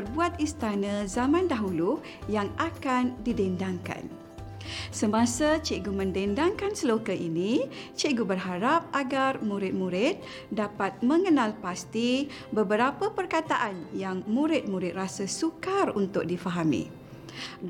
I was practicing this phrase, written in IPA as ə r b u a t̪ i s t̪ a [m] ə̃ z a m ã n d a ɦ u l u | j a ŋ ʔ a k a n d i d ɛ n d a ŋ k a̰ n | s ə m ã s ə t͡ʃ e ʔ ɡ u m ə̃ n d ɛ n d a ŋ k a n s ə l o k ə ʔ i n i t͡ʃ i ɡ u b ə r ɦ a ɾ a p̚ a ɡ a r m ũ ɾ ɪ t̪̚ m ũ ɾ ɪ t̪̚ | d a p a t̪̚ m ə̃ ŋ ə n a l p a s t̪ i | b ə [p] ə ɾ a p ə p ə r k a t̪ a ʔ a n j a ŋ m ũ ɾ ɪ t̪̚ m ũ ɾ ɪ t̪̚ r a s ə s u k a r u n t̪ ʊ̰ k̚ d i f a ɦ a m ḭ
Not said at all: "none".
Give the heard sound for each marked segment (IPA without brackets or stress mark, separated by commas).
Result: n, b